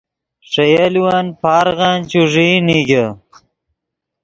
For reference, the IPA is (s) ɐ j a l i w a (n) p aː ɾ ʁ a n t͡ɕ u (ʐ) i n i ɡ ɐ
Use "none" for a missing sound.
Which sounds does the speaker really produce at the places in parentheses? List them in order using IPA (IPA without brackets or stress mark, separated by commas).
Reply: ʂ, n, ʐ